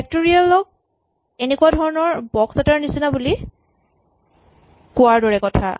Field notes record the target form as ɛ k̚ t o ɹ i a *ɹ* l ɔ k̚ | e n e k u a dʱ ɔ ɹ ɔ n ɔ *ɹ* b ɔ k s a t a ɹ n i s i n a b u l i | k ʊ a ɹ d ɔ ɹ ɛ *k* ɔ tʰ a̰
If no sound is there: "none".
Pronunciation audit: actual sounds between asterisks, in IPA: none, ɹ, k

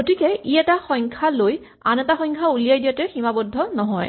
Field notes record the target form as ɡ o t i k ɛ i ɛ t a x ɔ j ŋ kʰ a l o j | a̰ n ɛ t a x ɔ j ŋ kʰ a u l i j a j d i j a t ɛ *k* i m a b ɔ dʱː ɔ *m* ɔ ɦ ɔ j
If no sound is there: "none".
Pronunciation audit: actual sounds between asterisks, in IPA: x, n

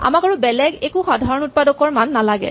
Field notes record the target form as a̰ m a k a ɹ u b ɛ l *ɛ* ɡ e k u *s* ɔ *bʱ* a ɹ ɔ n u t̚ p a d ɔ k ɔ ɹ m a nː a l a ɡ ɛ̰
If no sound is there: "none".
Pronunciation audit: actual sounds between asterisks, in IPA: ɛ, x, dʱ

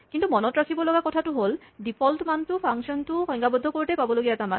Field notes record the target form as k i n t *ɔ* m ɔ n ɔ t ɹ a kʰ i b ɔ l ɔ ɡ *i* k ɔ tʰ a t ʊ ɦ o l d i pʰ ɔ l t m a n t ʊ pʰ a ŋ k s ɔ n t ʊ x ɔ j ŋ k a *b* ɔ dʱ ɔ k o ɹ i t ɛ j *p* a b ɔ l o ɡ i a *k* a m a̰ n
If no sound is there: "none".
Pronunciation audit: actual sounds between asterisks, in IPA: u, a, b, p, t

